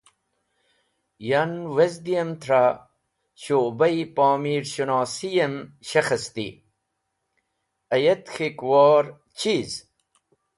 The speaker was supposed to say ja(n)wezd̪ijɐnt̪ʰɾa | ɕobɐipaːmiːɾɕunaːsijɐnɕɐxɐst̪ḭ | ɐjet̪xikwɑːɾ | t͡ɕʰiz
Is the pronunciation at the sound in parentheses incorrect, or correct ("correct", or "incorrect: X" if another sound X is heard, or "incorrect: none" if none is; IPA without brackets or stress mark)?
correct